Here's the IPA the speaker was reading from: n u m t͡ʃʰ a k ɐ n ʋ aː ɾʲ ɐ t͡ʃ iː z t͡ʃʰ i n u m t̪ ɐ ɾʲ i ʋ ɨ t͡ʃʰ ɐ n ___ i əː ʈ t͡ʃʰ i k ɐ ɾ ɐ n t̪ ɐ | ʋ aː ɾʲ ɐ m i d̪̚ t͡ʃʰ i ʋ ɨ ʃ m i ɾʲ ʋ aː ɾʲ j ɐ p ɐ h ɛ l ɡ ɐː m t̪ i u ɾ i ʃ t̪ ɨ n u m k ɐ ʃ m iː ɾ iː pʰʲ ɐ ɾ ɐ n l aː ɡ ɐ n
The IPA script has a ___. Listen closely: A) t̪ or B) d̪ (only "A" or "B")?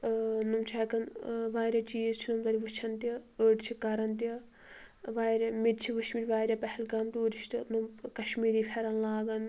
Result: A